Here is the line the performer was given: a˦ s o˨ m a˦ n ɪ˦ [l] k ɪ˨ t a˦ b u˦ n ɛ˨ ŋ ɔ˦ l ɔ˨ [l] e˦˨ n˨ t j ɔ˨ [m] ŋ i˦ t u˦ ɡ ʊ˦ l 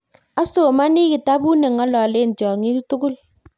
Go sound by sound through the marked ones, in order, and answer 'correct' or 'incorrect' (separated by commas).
incorrect, correct, incorrect